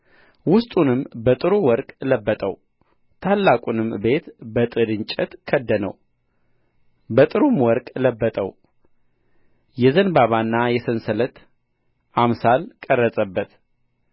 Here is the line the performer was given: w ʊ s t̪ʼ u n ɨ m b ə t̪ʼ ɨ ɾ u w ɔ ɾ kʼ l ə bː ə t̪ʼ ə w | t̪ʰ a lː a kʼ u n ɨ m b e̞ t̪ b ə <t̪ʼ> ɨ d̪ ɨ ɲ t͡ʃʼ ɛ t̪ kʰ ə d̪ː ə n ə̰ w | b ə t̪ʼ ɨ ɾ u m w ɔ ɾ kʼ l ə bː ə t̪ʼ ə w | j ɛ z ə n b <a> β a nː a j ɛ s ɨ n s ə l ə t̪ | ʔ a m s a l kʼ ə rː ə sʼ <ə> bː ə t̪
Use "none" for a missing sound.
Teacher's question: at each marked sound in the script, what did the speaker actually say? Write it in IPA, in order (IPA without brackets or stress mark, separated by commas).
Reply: t̪ʼ, a, ə